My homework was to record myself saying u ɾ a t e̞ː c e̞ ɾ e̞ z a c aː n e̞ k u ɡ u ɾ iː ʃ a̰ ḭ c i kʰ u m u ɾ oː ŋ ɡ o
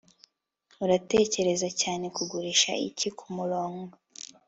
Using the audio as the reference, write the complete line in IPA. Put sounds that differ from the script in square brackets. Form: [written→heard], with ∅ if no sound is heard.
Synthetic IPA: u ɾ a t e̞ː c e̞ ɾ e̞ z a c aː n e̞ k u ɡ u ɾ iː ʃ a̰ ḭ c i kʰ u m u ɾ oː ŋ ɡ o

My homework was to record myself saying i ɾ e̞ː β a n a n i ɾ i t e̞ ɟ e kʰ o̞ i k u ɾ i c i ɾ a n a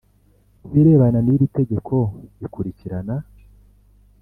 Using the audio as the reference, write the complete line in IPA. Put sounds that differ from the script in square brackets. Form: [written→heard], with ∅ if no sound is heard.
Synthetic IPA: i ɾ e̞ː β a n a n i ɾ i t e̞ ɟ e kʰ o̞ i k u ɾ i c i ɾ a n a

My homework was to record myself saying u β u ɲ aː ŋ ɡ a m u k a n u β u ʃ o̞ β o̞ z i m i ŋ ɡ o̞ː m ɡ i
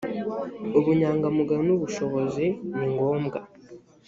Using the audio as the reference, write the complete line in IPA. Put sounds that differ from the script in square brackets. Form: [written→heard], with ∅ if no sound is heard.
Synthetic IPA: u β u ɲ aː ŋ ɡ a m u [k→ɡ] a n u β u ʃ o̞ β o̞ z i [m→n] i ŋ ɡ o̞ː m ɡ [i→a]

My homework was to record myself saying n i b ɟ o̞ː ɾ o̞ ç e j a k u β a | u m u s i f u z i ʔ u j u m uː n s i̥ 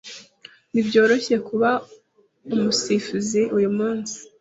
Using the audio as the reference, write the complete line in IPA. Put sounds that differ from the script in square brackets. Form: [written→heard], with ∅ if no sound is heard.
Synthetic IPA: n i b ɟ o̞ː ɾ o̞ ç e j [a→e] k u β a | u m u s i f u z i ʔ u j u m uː n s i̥

